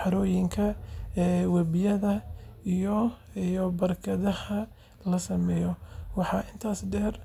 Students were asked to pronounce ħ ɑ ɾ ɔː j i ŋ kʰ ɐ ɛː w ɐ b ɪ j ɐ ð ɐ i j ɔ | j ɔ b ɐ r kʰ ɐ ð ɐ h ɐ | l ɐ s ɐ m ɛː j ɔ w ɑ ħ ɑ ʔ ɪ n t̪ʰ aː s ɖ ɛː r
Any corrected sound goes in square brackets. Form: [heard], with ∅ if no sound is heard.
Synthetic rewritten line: ħ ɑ ɾ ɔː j [ɪ] ŋ kʰ ɐ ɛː w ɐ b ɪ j ɐ ð ɐ i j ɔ | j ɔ b ɐ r kʰ ɐ ð ɐ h ɐ | l ɐ s ɐ m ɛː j ɔ w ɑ ħ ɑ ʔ ɪ n t̪ʰ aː s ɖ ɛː r

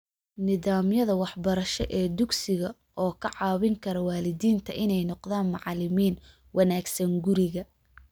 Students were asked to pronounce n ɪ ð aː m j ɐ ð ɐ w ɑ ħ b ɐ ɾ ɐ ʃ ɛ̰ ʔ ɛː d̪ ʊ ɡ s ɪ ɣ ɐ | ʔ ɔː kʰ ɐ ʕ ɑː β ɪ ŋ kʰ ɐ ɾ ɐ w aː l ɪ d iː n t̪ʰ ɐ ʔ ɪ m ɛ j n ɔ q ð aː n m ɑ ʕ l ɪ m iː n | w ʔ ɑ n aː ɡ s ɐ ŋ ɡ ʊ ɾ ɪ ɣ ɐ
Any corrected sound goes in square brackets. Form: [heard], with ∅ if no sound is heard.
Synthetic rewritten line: n ɪ ð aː m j ɐ ð ɐ w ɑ ħ b ɐ ɾ ɐ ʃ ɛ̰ ʔ ɛː d̪ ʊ ɡ s ɪ ɣ ɐ | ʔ ɔː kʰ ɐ ʕ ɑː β ɪ ŋ kʰ ɐ ɾ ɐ w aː l ɪ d iː n t̪ʰ ɐ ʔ ɪ [n] ɛ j n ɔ q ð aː n m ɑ ʕ l ɪ m iː n | w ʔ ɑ n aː ɡ s ɐ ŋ ɡ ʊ ɾ ɪ ɣ ɐ

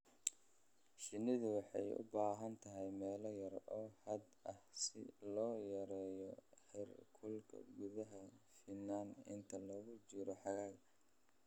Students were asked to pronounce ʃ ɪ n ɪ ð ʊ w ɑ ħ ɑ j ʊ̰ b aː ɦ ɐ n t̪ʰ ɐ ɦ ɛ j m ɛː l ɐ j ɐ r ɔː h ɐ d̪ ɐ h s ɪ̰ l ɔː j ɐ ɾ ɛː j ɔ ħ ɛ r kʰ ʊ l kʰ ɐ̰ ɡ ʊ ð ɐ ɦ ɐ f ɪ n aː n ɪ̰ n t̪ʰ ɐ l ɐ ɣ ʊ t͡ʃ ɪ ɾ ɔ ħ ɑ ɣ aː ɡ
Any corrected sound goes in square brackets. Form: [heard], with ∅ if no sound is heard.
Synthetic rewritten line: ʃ ɪ n ɪ ð ʊ w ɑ ħ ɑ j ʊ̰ b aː ɦ ɐ n t̪ʰ ɐ ɦ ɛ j m ɛː l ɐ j ɐ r ɔː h ɐ d̪ ɐ h s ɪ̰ l ɔː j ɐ ɾ ɛː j ɔ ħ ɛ r kʰ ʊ l kʰ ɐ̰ ɡ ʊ ð ɐ ɦ ɐ f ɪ n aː n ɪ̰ n t̪ʰ ɐ l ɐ ɣ ʊ t͡ʃ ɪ ɾ ɔ ħ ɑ ɣ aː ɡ

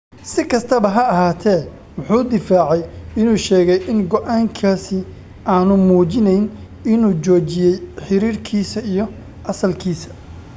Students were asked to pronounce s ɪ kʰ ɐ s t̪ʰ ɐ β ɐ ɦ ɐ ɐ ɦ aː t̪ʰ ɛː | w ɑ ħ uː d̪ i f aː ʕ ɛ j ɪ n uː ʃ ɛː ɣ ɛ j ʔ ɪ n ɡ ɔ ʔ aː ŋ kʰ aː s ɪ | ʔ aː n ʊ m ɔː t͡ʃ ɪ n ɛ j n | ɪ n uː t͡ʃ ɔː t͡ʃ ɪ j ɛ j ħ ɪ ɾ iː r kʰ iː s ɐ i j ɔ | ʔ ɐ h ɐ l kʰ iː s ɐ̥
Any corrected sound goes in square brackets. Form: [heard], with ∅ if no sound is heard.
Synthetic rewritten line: s ɪ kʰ ɐ s t̪ʰ ɐ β ɐ ɦ ɐ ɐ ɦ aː t̪ʰ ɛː | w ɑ ħ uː d̪ [ɪ] f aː ʕ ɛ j ɪ n uː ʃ ɛː ɣ ɛ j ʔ ɪ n ɡ ɔ ʔ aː ŋ kʰ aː s ɪ | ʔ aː n ʊ m [uː] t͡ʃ ɪ n ɛ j n | ɪ n uː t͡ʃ ɔː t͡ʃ ɪ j ɛ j ħ ɪ ɾ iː r kʰ iː s ɐ i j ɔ | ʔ ɐ [s] ɐ l kʰ iː s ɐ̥

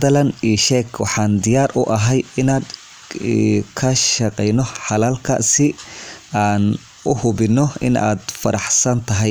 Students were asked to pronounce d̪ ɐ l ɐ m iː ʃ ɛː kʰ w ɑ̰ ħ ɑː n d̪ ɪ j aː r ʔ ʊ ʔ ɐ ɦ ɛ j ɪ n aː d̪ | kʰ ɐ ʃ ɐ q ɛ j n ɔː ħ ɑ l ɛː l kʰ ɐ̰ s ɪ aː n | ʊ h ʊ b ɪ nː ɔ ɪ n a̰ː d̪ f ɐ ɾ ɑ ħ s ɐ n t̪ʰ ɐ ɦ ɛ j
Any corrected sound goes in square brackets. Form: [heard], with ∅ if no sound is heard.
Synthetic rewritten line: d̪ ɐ l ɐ [n] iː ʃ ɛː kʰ w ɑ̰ ħ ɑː n d̪ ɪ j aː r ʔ ʊ ʔ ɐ ɦ ɛ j ɪ n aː d̪ | kʰ ɐ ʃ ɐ q ɛ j n [ɔ] ħ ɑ l [aː] l kʰ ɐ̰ s ɪ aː n | ʊ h ʊ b ɪ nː ɔ ɪ n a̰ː d̪ f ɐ ɾ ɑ ħ s ɐ n t̪ʰ ɐ ɦ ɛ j

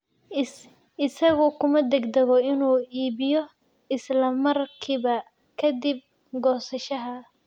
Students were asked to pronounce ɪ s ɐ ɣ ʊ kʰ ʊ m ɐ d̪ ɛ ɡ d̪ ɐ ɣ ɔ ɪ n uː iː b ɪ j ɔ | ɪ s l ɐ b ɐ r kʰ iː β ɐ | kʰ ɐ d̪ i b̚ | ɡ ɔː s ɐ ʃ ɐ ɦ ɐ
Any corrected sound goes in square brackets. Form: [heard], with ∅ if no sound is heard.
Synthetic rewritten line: ɪ s ɐ ɣ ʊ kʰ ʊ m ɐ d̪ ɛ ɡ d̪ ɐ ɣ ɔ ɪ n uː iː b ɪ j ɔ | ɪ s l ɐ [m] ɐ r kʰ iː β ɐ | kʰ ɐ d̪ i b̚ | ɡ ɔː s ɐ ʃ ɐ ɦ ɐ

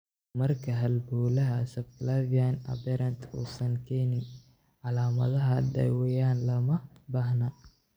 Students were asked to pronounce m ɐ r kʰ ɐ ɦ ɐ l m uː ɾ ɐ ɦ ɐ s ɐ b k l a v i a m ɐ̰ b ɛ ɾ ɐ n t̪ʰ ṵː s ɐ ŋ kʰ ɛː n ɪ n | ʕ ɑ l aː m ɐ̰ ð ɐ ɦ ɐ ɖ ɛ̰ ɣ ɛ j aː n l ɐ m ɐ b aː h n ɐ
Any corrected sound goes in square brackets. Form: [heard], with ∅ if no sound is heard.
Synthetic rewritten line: m ɐ r kʰ ɐ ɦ ɐ l [b] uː [l] ɐ ɦ ɐ s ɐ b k l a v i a [n] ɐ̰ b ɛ ɾ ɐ n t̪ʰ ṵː s ɐ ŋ kʰ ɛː n ɪ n | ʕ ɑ l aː m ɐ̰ ð ɐ ɦ ɐ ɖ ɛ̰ [w] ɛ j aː n l ɐ m ɐ b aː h n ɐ

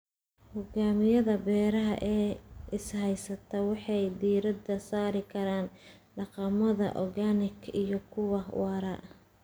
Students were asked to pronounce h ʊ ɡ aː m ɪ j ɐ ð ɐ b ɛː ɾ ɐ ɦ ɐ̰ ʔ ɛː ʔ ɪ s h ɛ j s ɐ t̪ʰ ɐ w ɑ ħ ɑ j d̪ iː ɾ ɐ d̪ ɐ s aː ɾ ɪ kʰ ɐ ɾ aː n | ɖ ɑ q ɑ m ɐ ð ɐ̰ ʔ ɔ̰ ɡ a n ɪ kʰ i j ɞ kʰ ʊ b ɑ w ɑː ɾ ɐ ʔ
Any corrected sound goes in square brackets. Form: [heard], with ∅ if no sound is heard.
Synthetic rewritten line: h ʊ ɡ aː m ɪ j ɐ ð ɐ b ɛː ɾ ɐ ɦ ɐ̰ ʔ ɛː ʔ ɪ s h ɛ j s ɐ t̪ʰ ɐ w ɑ ħ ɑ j d̪ iː ɾ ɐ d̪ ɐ s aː ɾ ɪ kʰ ɐ ɾ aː n | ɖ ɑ q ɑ m ɐ ð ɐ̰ ʔ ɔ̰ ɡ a n ɪ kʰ i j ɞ kʰ ʊ [w] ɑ w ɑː ɾ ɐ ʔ

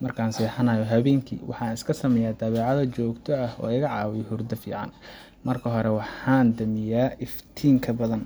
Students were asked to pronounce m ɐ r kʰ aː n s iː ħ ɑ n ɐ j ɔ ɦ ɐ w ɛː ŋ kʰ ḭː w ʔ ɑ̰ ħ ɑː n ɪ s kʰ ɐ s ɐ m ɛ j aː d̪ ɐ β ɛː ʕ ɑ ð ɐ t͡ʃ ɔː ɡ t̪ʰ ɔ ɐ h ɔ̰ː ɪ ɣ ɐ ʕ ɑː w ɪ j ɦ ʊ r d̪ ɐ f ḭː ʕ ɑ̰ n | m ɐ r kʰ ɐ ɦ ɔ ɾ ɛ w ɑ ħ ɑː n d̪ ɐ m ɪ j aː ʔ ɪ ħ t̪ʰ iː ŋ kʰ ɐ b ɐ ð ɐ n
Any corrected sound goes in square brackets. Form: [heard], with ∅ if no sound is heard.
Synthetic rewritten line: m ɐ r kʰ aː n s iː ħ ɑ n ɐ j ɔ ɦ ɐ [β] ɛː ŋ kʰ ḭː w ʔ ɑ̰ ħ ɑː n ɪ s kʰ ɐ s ɐ m ɛ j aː d̪ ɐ β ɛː ʕ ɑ ð ɐ t͡ʃ ɔː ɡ t̪ʰ ɔ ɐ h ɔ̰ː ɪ ɣ ɐ ʕ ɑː w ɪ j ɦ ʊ r d̪ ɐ f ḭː ʕ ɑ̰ n | m ɐ r kʰ ɐ ɦ ɔ ɾ ɛ w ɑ ħ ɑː n d̪ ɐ m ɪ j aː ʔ ɪ [f] t̪ʰ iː ŋ kʰ ɐ b ɐ ð ɐ n

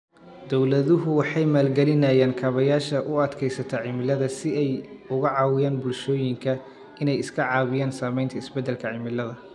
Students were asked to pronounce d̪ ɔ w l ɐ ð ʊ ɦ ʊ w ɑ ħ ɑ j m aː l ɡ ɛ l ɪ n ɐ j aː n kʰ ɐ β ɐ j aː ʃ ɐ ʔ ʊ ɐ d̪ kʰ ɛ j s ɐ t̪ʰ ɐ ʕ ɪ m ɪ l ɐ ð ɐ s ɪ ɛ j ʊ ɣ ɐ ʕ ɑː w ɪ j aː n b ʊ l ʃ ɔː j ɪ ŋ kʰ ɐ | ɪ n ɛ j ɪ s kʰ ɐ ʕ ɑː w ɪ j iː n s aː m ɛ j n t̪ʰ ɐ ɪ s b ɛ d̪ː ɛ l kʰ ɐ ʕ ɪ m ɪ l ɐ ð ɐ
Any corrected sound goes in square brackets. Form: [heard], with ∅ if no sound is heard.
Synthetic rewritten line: d̪ ɔ w l ɐ ð ʊ ɦ ʊ w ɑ ħ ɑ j m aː l ɡ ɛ l ɪ n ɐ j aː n kʰ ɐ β ɐ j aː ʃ ɐ ʔ ʊ ɐ d̪ kʰ ɛ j s ɐ t̪ʰ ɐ ʕ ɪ m ɪ l ɐ ð ɐ s ɪ ɛ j ʊ ɣ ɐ ʕ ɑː w ɪ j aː n b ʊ l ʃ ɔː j ɪ ŋ kʰ ɐ | ɪ n ɛ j ɪ s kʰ ɐ ʕ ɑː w ɪ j [aː] n s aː m ɛ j n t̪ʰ ɐ ɪ s b ɛ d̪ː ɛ l kʰ ɐ ʕ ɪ m ɪ l ɐ ð ɐ

